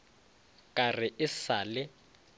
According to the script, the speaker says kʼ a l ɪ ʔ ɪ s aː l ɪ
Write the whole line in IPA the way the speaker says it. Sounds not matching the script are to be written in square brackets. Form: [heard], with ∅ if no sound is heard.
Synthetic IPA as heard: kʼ a [r] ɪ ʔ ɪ s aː l ɪ